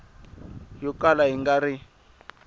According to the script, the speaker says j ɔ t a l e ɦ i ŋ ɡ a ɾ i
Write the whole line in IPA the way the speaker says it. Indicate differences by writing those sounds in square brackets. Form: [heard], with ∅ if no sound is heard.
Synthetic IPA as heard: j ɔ [k] a l [a] ɦ i ŋ ɡ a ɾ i